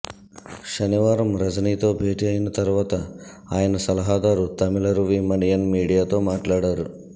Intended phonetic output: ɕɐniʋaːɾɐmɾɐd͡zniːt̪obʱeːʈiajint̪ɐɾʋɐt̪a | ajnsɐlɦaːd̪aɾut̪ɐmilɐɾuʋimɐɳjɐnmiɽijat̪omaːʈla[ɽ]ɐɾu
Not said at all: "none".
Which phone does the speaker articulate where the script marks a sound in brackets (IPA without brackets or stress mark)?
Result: ɽ